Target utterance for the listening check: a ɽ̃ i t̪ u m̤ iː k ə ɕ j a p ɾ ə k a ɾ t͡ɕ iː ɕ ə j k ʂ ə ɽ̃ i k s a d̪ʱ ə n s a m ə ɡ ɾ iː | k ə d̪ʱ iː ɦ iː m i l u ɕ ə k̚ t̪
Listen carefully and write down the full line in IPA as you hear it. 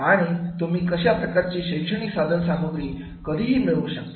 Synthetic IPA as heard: a ɽ̃ i t̪ u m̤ iː k ə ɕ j a p ɾ ə k a ɾ t͡ɕ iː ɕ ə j k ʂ ə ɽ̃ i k s a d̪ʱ ə n s a m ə ɡ ɾ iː | k ə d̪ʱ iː ɦ iː m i ɭ u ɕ ə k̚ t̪